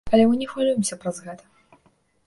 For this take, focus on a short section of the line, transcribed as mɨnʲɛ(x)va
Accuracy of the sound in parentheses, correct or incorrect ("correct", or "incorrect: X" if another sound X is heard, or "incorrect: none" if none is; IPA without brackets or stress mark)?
correct